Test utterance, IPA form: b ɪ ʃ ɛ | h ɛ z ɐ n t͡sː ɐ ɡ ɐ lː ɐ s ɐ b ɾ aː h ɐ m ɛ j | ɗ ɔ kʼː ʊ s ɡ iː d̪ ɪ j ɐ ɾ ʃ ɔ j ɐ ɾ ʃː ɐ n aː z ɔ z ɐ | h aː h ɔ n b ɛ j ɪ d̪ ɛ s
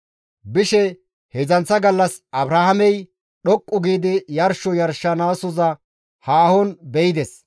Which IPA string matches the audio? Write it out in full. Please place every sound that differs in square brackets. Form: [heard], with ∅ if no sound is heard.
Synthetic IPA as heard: b ɪ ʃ ɛ | h ɛ z ɐ n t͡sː ɐ ɡ ɐ lː ɐ s ɐ b ɾ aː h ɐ m ɛ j | ɗ ɔ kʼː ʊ [∅] ɡ iː d̪ ɪ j ɐ ɾ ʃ ɔ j ɐ ɾ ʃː ɐ n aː [s] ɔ z ɐ | h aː h ɔ n b ɛ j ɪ d̪ ɛ s